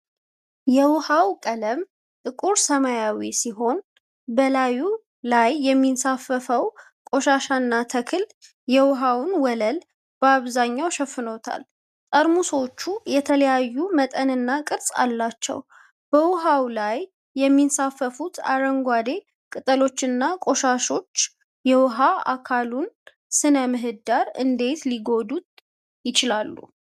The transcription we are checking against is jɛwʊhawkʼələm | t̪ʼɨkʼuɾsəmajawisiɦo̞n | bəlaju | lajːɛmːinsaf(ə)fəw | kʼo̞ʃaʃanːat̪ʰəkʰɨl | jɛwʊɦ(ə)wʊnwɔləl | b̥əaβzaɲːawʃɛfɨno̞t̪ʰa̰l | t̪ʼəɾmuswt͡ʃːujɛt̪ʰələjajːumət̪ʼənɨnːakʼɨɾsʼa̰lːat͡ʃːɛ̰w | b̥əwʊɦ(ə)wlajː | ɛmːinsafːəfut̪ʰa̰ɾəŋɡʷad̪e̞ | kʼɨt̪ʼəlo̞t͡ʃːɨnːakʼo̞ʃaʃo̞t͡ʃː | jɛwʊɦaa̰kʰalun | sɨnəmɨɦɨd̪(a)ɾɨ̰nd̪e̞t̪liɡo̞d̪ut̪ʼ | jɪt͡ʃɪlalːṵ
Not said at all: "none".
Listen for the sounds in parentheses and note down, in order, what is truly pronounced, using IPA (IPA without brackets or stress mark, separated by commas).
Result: ə, a, a, a